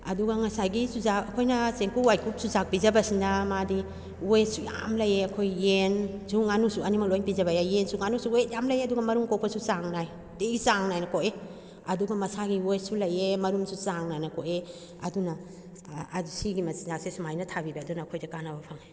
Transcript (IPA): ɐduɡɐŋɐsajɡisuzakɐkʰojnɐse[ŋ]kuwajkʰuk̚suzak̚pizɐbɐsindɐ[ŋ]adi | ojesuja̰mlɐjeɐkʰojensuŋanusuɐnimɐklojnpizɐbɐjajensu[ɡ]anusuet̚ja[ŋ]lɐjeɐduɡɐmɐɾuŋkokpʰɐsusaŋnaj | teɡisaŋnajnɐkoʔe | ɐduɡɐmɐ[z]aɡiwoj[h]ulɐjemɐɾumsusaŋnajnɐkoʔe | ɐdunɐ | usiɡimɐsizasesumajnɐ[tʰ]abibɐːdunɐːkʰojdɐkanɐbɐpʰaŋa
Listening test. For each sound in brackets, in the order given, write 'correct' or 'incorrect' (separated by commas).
correct, incorrect, incorrect, incorrect, incorrect, incorrect, correct